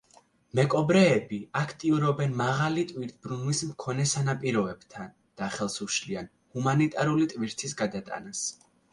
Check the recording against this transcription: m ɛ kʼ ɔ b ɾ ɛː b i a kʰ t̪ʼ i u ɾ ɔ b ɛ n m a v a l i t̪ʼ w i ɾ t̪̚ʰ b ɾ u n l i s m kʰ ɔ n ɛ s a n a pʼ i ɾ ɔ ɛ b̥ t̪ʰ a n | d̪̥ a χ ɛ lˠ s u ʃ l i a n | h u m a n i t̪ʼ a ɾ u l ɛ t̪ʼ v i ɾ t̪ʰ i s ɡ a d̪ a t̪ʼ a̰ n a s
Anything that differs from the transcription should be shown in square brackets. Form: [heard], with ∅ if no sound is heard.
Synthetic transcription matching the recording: m ɛ kʼ ɔ b ɾ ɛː b i a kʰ t̪ʼ i u ɾ ɔ b ɛ n m a [ʁ] a l i t̪ʼ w i ɾ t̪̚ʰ b ɾ u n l i s m kʰ ɔ n ɛ s a n a pʼ i ɾ ɔ ɛ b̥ t̪ʰ a n | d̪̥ a χ ɛ lˠ s u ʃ l i a n | h u m a n i t̪ʼ a ɾ u l [i] t̪ʼ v i ɾ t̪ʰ i s ɡ a d̪ a t̪ʼ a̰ n a s